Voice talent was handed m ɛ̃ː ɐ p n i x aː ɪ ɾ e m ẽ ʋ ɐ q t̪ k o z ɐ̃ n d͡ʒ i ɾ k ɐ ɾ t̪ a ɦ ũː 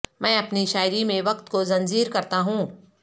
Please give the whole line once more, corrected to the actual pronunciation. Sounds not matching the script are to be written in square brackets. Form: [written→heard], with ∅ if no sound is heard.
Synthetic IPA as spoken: m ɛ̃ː ɐ p n i [x→ʃ] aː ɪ ɾ [e→i] m ẽ ʋ ɐ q t̪ k o z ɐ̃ n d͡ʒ [i→iː] ɾ k ɐ ɾ t̪ a ɦ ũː